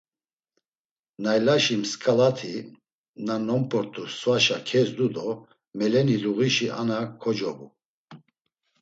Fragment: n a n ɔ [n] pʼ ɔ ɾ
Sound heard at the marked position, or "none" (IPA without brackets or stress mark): m